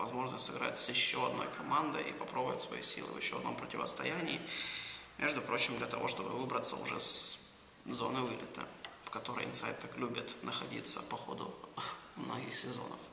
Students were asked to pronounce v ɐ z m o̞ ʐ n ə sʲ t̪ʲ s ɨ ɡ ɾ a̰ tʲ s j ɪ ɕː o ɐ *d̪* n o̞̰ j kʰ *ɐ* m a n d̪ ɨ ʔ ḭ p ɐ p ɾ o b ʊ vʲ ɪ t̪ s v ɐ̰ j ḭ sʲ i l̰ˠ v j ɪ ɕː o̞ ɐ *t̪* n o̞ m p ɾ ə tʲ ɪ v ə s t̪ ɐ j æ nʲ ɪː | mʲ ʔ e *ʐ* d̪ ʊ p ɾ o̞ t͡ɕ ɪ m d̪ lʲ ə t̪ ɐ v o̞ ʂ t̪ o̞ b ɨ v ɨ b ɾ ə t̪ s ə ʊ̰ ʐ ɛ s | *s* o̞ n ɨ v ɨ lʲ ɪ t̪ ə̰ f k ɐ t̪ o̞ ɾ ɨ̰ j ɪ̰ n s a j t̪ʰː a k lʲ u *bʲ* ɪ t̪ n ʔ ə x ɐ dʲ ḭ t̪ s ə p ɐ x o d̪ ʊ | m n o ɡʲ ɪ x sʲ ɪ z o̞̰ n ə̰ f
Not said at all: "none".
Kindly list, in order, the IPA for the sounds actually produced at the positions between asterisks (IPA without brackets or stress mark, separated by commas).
d̪, ɐ, d̪, ʐ, z, bʲ